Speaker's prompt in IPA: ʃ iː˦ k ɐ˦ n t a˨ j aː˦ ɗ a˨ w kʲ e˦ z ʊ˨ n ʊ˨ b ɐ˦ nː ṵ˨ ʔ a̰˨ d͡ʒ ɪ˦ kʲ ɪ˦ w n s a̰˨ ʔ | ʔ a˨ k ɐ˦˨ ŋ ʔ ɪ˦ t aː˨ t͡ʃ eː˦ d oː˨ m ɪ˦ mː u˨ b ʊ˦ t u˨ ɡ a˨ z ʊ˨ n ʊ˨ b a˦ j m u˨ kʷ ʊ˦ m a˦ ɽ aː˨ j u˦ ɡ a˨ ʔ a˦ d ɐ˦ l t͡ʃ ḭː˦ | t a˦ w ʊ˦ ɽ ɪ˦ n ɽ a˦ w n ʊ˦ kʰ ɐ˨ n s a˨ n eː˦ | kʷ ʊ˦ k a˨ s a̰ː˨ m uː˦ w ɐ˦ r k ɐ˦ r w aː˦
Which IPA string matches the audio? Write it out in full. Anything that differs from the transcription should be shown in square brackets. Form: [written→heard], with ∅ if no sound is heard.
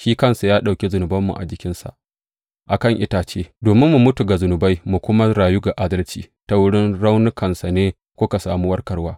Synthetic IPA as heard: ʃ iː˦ k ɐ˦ n [t→s] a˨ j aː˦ ɗ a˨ w kʲ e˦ z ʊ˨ n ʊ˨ b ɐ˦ [nː→mː] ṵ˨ ʔ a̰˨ d͡ʒ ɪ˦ kʲ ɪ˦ [w→∅] n s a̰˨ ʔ | ʔ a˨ k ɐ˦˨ ŋ ʔ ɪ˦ t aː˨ t͡ʃ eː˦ d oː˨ m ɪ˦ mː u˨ [b→m] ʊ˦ t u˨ ɡ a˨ z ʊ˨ n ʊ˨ b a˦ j m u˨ kʷ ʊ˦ m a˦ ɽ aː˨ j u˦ ɡ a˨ ʔ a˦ d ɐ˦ l t͡ʃ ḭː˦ | t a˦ w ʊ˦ ɽ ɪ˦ n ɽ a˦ w n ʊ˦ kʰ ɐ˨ n s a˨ n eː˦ | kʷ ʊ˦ k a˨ s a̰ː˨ m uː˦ w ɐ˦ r k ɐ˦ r w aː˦